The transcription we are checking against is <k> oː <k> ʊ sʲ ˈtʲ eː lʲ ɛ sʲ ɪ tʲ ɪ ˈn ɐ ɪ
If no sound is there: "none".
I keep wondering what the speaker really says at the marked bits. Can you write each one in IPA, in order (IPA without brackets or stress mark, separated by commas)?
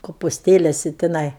k, p